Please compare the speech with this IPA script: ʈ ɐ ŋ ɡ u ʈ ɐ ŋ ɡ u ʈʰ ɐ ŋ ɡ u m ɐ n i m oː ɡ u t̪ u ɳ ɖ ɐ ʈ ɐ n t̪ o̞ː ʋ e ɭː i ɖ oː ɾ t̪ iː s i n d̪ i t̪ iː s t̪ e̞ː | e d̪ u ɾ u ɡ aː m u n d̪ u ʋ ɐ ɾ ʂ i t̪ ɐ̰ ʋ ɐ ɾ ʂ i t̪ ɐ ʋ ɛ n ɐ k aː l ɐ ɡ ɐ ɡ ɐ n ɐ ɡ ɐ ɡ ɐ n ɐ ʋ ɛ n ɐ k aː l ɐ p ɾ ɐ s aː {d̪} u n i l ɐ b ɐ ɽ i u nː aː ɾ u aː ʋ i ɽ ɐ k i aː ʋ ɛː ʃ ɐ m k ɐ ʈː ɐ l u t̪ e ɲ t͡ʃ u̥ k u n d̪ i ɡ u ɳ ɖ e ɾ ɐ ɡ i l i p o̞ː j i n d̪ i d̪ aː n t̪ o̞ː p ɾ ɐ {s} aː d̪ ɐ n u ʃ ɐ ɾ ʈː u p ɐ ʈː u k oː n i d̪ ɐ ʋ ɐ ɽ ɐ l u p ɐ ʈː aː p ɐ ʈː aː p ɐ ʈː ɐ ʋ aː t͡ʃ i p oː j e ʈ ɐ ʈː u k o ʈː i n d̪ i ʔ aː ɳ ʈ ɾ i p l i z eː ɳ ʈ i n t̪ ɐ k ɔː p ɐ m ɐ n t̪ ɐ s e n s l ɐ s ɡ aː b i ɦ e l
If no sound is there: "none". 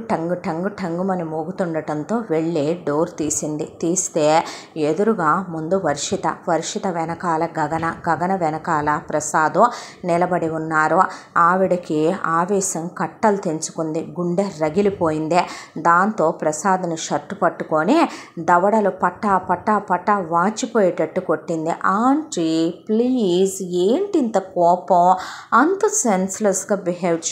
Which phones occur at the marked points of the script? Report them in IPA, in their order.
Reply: d̪, s

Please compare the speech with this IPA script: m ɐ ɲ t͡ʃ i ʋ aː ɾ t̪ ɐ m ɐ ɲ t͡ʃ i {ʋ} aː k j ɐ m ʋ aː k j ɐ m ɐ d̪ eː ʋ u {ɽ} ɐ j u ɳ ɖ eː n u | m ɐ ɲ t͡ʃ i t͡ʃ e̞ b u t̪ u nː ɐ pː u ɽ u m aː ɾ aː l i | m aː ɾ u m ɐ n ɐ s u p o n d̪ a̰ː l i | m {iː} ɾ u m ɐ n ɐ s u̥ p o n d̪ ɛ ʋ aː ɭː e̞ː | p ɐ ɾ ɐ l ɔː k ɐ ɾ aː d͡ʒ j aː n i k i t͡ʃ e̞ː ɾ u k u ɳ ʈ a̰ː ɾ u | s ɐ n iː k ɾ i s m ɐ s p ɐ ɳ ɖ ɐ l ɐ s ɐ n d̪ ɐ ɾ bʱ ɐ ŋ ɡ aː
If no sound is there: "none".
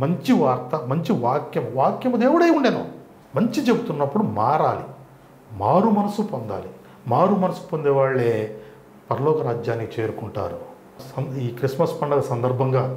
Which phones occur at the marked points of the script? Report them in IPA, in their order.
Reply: ʋ, ɽ, aː

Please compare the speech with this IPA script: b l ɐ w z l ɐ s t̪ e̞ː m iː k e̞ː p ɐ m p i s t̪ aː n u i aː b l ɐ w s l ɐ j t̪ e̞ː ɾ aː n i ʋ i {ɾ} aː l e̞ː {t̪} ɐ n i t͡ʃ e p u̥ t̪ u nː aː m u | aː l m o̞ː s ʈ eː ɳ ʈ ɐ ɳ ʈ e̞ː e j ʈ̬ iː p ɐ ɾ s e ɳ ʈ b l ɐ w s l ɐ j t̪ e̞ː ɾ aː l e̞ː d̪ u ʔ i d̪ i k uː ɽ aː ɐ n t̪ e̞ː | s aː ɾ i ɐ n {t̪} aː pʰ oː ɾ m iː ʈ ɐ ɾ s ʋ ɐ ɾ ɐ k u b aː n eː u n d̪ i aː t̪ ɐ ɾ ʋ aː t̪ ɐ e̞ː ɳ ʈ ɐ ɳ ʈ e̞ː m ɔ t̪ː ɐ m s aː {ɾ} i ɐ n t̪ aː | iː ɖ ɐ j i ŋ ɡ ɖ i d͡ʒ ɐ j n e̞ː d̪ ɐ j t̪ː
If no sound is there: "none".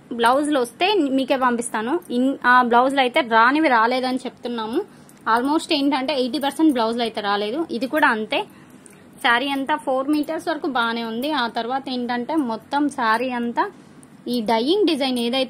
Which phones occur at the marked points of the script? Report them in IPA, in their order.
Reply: ɾ, d̪, t̪, ɾ

